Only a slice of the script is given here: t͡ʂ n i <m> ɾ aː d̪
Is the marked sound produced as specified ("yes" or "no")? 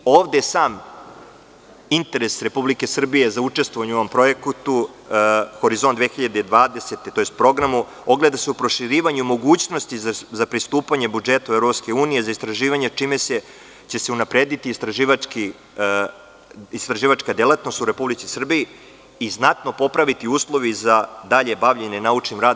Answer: yes